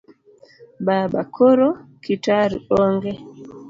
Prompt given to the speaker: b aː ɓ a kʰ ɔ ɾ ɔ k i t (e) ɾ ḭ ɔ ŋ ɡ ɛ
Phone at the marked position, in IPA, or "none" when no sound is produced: a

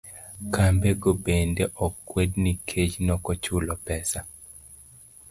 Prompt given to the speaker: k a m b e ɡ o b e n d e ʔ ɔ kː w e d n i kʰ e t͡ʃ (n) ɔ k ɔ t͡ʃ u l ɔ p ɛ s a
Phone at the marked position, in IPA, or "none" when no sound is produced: n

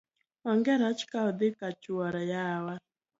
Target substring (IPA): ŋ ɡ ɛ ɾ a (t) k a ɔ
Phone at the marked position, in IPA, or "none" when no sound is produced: t͡ʃ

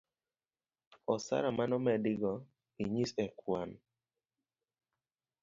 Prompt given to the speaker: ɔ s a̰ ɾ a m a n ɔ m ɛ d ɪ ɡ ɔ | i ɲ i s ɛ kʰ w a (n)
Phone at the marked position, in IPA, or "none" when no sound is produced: n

